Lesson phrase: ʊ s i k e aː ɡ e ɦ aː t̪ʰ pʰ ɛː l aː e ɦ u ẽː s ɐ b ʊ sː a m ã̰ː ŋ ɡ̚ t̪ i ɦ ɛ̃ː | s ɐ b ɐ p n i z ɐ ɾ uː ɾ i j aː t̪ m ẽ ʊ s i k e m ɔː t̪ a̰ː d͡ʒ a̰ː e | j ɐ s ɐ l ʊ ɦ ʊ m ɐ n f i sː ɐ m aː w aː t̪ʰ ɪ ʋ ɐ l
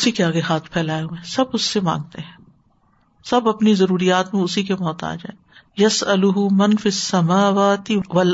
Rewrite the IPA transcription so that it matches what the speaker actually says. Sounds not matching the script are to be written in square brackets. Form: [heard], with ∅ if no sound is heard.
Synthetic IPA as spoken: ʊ s i k e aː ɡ e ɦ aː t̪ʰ pʰ ɛː l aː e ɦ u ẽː s ɐ b ʊ sː [e] m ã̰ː ŋ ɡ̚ t̪ [e] ɦ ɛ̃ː | s ɐ b ɐ p n i z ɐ ɾ uː ɾ i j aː t̪ m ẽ ʊ s i k e m ɔː t̪ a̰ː d͡ʒ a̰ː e | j ɐ s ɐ l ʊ ɦ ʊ m ɐ n f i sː ɐ m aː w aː [t̪] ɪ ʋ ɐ l